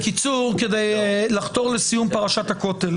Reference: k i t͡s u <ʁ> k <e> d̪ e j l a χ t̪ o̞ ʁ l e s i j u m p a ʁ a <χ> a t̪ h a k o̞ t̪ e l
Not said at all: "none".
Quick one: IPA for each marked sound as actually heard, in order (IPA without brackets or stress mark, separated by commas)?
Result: ʁ, e, ʃ